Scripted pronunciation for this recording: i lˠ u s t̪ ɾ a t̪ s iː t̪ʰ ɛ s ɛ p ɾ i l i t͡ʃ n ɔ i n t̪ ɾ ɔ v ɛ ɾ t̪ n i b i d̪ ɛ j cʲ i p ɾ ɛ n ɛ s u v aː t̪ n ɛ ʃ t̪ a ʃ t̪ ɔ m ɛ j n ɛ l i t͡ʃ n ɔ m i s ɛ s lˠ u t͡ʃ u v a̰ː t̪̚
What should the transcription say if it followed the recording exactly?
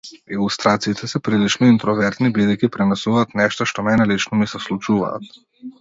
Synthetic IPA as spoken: i lˠ u s t̪ ɾ a t̪ s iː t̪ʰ ɛ s ɛ p ɾ i l i t͡ʃ n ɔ i n t̪ ɾ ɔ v ɛ ɾ t̪ n i b i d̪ ɛ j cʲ i p ɾ ɛ n ɛ s u v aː t̪ n ɛ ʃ t̪ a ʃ t̪ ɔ m ɛ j n ɛ l i t͡ʃ n ɔ m i s ɛ s lˠ u t͡ʃ u v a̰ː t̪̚